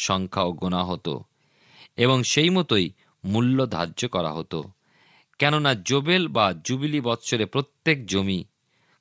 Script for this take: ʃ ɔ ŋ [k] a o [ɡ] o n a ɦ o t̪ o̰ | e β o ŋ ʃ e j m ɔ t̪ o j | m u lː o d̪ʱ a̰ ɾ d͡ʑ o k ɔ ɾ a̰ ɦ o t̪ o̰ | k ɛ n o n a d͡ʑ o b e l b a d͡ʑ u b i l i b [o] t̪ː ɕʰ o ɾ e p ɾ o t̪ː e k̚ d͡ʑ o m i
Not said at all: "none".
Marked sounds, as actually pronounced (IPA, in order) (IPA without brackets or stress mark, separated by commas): kʰ, ɡ, ɔ